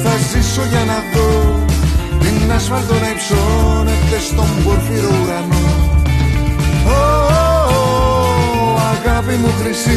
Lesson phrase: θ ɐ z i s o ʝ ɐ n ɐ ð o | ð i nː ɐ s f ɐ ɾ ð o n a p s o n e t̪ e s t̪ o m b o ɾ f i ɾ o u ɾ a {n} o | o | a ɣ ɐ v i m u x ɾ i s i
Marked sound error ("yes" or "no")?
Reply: no